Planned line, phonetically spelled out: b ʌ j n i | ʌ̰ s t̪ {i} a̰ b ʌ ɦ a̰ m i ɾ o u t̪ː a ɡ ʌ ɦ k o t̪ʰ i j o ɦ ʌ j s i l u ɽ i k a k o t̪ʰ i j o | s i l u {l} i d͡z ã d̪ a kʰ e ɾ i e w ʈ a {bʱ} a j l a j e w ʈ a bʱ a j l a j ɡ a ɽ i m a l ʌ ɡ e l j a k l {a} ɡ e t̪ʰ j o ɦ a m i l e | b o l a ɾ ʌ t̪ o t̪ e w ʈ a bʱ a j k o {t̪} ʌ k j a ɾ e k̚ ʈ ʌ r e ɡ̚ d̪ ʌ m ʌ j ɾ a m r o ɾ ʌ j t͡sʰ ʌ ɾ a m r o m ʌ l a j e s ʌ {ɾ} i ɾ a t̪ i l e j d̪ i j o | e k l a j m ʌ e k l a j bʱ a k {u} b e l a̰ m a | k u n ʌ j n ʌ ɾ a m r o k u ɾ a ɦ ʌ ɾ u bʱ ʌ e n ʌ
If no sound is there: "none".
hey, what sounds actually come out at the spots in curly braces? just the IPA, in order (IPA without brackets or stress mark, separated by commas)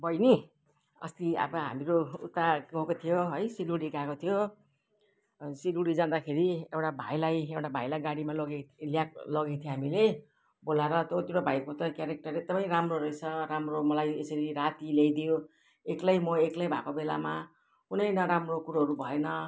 i, ɽ, bʱ, ʌ, t̪, ɾ, o